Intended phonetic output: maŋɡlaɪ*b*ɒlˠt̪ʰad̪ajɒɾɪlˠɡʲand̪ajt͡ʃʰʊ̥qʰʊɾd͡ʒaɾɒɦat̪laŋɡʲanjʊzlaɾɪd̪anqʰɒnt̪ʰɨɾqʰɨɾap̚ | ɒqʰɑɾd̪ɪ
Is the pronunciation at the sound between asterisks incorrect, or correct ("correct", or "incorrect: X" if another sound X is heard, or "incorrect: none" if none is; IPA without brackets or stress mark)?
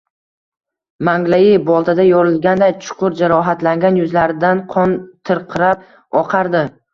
correct